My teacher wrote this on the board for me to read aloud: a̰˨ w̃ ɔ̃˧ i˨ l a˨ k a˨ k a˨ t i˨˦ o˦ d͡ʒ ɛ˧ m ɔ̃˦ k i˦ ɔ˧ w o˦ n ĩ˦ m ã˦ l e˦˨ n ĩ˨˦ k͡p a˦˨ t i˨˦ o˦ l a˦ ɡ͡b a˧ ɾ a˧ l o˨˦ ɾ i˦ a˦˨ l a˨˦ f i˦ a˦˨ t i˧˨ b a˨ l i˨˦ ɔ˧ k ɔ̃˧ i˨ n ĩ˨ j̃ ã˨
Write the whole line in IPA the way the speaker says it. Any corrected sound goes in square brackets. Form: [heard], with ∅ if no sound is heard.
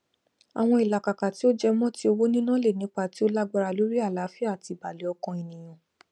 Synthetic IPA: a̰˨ w̃ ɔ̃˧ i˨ l a˨ k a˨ k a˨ t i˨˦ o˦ d͡ʒ ɛ˧ m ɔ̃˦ [t] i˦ [o˧] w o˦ n ĩ˦ [n] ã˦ l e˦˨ n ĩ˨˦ k͡p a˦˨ t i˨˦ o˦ l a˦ ɡ͡b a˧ ɾ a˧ l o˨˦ ɾ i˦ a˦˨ l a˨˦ f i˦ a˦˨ t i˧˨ b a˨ l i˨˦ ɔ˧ k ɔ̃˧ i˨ n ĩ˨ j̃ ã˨